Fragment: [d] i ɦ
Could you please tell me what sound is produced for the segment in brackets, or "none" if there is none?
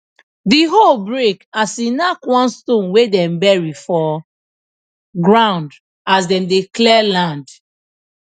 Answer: d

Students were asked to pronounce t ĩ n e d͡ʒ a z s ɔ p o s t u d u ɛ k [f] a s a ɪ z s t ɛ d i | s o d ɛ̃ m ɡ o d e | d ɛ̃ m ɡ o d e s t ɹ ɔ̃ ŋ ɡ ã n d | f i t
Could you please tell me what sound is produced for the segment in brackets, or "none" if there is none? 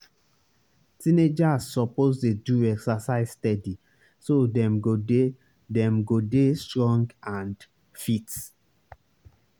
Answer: s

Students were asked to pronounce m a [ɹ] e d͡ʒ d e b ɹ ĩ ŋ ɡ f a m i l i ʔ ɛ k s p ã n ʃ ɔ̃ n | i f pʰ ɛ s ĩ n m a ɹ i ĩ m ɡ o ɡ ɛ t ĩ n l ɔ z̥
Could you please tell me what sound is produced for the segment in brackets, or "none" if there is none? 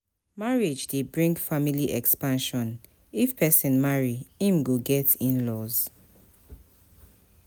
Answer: ɹ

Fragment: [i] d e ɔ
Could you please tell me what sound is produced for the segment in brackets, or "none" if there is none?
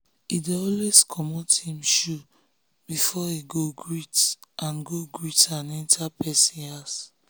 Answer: i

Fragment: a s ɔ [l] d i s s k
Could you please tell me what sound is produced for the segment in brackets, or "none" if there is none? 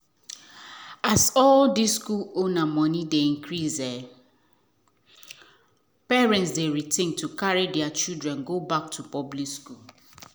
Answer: l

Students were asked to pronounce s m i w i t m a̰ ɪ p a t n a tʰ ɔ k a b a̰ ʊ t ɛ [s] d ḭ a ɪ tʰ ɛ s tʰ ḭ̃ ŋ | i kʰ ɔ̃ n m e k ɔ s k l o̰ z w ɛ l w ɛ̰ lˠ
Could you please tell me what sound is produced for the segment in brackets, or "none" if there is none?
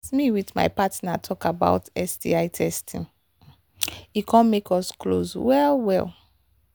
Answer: s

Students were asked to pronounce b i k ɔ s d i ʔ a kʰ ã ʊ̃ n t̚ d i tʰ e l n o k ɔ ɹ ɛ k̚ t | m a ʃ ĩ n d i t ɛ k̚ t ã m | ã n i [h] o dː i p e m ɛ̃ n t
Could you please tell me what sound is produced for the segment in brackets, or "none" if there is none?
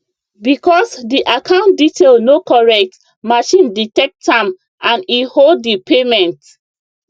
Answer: h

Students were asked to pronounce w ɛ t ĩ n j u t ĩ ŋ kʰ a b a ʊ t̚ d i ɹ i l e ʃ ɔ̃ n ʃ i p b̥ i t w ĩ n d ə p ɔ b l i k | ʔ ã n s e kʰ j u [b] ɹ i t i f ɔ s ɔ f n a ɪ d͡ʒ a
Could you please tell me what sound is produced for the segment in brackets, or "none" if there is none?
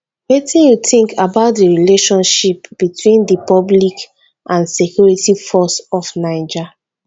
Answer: none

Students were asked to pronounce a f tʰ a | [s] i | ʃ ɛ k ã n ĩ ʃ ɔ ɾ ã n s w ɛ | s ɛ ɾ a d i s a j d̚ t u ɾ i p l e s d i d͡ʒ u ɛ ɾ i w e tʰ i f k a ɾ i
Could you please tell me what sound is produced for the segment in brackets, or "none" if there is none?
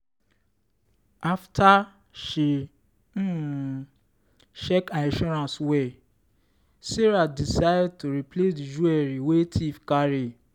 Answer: ʃ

